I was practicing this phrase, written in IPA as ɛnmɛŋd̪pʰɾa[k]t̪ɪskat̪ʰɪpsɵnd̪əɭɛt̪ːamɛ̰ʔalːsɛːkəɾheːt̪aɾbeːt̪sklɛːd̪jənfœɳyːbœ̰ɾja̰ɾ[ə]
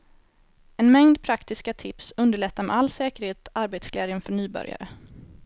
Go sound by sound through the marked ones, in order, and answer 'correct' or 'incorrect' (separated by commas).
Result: correct, correct